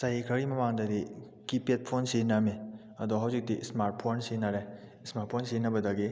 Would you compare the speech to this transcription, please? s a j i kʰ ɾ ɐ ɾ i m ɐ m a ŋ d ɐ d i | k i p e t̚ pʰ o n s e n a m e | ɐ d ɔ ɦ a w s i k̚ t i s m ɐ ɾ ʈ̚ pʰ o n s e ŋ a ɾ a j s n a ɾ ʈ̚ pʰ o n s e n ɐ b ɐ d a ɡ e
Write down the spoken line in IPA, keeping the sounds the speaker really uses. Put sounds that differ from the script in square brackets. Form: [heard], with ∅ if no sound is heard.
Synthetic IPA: s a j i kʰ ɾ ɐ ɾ i m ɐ m a ŋ d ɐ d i | k i p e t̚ pʰ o n s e n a m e | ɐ d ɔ ɦ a w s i k̚ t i s m [a] ɾ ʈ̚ pʰ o n s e [n] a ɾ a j s [m] a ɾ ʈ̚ pʰ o n s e n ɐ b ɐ d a ɡ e